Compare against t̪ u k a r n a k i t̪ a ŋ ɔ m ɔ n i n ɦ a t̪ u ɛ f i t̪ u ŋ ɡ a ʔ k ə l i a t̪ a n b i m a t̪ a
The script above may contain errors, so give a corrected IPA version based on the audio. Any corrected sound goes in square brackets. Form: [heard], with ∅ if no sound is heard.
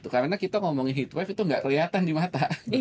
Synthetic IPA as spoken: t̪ u k a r n a k i t̪ a ŋ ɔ m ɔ [ŋ] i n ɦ [i] t̪ [w] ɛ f i t̪ u ŋ ɡ a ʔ k ə l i a t̪ a n [d] i m a t̪ a